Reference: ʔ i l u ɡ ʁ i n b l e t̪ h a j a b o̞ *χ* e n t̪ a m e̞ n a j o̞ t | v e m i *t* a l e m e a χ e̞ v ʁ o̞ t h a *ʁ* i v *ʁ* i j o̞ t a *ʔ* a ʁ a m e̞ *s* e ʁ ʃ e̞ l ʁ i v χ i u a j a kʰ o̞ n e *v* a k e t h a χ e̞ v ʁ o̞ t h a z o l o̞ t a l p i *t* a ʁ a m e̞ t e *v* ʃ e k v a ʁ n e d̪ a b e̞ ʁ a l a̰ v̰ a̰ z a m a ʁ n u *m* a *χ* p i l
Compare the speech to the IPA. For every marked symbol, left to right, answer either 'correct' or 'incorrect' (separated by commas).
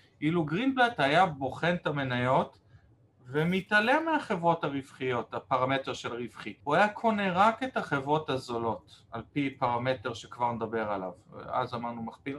correct, correct, correct, incorrect, incorrect, incorrect, incorrect, incorrect, incorrect, correct, correct